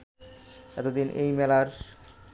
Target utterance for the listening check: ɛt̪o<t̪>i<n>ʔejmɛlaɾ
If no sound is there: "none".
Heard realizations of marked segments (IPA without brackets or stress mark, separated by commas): d̪, n